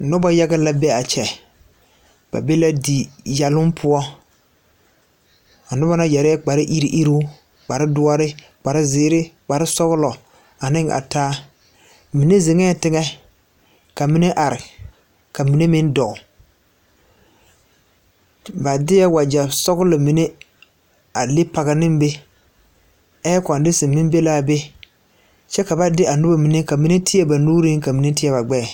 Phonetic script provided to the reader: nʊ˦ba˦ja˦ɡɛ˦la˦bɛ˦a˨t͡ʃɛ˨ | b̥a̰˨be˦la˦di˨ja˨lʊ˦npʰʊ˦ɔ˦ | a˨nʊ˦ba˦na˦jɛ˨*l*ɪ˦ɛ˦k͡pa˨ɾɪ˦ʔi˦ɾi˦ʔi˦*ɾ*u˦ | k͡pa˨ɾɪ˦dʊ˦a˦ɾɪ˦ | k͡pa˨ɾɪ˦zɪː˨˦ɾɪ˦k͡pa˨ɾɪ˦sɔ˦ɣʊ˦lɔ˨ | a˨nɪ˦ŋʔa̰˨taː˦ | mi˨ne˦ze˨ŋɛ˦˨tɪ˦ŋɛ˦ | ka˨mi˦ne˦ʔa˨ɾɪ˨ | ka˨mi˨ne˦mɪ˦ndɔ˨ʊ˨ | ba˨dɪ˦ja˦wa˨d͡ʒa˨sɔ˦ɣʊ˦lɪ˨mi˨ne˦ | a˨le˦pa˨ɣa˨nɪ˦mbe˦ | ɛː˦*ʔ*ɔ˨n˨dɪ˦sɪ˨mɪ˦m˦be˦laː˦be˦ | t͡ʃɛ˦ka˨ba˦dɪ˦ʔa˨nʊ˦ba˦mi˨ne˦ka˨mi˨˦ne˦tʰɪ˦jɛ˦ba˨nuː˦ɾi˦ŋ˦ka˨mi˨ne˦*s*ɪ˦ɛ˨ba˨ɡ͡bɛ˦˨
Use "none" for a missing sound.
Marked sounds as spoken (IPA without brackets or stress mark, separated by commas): ɾ, ɾ, k, t